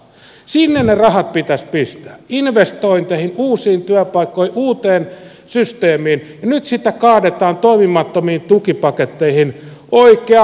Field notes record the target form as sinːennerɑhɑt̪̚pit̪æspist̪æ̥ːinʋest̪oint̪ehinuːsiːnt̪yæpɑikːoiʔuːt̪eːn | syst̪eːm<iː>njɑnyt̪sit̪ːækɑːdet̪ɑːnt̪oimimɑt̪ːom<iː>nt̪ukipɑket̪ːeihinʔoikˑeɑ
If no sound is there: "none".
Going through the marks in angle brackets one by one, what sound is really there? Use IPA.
iː, iː

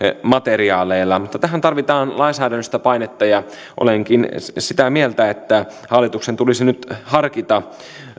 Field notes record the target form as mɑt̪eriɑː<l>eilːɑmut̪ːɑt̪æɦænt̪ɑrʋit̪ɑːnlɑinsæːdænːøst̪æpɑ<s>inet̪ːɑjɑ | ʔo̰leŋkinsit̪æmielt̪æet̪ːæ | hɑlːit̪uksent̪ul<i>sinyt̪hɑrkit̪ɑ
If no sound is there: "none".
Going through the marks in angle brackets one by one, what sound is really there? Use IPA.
l, none, i

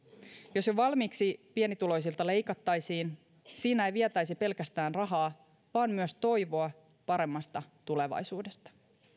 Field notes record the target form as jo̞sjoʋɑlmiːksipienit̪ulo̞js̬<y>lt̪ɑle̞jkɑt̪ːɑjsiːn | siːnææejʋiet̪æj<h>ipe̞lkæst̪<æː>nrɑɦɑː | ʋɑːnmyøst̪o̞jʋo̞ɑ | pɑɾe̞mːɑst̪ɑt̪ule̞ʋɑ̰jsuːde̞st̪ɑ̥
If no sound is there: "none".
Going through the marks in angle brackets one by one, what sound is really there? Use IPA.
i, s, æː

